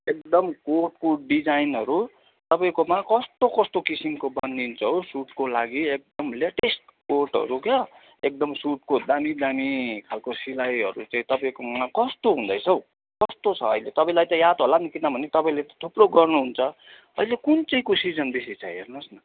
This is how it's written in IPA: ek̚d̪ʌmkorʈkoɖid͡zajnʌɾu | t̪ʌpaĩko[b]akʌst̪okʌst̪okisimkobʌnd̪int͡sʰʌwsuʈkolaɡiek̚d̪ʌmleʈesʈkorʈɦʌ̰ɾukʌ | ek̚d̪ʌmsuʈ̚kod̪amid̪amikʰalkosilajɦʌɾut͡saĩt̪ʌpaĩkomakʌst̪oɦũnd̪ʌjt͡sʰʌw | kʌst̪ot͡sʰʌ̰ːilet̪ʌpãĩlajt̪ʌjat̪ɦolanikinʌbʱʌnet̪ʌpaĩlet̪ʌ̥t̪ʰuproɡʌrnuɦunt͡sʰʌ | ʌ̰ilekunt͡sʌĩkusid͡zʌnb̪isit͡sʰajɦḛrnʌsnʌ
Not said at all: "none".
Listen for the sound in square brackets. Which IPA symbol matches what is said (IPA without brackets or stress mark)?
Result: m